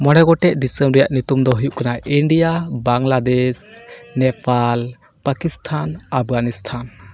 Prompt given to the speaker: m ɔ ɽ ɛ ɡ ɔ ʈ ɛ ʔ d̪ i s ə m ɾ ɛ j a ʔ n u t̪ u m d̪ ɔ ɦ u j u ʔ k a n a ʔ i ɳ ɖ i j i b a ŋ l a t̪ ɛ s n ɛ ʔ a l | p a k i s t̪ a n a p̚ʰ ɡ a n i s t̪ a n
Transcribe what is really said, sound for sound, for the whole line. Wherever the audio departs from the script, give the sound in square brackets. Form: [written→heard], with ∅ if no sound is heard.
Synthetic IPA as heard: m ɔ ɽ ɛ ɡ ɔ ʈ ɛ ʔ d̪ i s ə m ɾ ɛ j a ʔ n u t̪ u m d̪ ɔ ɦ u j u ʔ k a n a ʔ i ɳ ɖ i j [i→a] b a ŋ l a [t̪→d̪] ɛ s n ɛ [ʔ→p] a l | p a k i s [t̪→t̪ʰ] a n a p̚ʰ ɡ a n i s [t̪→t̪ʰ] a n